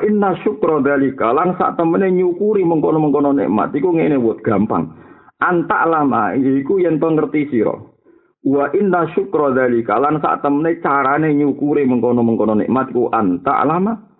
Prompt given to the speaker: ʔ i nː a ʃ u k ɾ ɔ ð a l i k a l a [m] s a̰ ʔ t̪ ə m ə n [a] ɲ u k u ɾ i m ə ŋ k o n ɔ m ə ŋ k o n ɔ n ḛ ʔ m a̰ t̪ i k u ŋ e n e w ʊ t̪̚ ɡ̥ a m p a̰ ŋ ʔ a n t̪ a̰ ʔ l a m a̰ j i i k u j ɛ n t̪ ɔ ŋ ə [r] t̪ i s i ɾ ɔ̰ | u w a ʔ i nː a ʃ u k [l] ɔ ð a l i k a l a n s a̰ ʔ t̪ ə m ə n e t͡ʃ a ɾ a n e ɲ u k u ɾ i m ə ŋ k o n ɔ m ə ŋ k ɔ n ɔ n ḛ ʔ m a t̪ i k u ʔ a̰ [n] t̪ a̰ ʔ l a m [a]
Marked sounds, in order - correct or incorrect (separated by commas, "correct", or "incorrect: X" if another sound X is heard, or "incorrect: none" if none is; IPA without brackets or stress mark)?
incorrect: n, incorrect: e, correct, incorrect: ɾ, correct, correct